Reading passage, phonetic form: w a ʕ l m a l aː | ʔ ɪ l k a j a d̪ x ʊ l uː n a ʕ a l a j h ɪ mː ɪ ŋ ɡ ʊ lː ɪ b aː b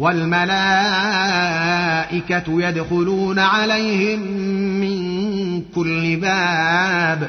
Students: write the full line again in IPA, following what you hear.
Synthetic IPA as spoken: w a l m a l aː | ʔ ɪ k a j a d̪ x ʊ l uː n a ʕ a l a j h ɪ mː ɪ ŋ k ʊ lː ɪ b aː b